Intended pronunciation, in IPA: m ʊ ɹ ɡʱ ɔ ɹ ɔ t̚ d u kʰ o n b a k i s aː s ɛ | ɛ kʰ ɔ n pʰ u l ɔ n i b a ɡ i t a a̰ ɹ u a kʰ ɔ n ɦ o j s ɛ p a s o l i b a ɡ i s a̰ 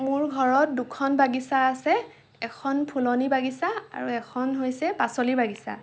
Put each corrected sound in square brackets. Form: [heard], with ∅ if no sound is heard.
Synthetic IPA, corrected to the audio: m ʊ ɹ ɡʱ ɔ ɹ ɔ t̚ d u kʰ [ɔ] n b a [ɡ] i s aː s ɛ | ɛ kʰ ɔ n pʰ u l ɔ n i b a ɡ i [s] a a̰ ɹ u [ɛ] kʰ ɔ n ɦ o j s ɛ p a s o l i b a ɡ i s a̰